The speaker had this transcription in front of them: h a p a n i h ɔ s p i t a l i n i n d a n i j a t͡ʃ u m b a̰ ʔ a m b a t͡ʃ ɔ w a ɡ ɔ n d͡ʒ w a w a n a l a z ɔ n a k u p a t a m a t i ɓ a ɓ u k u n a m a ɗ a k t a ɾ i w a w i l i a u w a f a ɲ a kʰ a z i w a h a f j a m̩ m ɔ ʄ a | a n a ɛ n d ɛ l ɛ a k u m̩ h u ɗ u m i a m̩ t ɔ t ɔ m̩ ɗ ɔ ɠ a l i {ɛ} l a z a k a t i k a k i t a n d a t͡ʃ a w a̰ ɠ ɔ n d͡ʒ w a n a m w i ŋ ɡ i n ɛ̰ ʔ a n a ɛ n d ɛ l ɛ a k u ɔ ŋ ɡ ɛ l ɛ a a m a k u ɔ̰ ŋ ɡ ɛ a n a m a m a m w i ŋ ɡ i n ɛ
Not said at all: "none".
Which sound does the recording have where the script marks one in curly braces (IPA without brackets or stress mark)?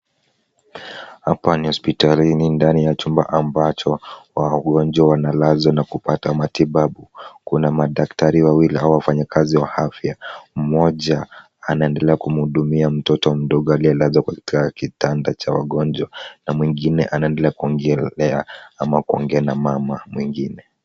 a